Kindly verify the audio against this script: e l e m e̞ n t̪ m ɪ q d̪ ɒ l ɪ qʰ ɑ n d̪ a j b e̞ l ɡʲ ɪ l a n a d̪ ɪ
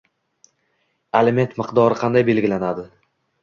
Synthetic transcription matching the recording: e l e m e̞ n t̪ m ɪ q d̪ ɒ ɾ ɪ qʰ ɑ n d̪ a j b e̞ l ɡʲ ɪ l a n a d̪ ɪ